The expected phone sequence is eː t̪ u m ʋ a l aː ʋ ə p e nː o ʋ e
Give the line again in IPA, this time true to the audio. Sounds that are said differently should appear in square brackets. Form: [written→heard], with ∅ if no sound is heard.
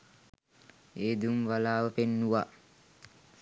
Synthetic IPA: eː [t̪→d̪] u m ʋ a l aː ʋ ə p e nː [o→u] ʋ [e→a]